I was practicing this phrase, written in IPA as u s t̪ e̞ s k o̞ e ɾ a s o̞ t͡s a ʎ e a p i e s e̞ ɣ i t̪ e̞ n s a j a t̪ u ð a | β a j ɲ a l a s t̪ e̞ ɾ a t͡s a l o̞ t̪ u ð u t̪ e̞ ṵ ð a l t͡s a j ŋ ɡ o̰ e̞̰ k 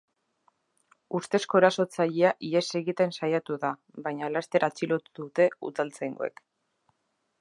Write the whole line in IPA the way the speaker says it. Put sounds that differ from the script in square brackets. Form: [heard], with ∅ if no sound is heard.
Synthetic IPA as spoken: u s t̪ e̞ s k o̞ e ɾ a s o̞ t͡s a ʎ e a [ʔ] i e s e̞ ɣ i t̪ e̞ n s a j a t̪ u ð a | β a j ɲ a l a s t̪ e̞ ɾ a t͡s [i] l o̞ t̪ u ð u t̪ e̞ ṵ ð a l t͡s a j ŋ ɡ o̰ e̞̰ k